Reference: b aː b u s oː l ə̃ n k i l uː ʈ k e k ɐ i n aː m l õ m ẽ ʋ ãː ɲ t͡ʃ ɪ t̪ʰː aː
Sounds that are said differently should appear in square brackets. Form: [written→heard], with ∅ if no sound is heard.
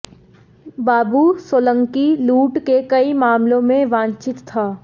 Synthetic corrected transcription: b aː b u s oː l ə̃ [n→ŋ] k i l uː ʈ k e k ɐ i [n→m] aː m l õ m ẽ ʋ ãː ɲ t͡ʃ ɪ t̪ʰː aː